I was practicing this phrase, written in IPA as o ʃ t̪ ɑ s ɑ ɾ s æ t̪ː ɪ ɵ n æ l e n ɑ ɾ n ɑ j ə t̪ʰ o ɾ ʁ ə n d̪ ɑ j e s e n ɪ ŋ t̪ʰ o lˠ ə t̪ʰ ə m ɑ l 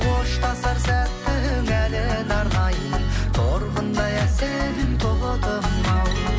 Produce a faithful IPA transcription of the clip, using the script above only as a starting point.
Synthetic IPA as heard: o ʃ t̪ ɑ s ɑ ɾ s æ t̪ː ɪ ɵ ŋ æ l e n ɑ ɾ n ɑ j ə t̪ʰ o ɾ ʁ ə n d̪ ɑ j æ s e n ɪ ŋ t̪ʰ o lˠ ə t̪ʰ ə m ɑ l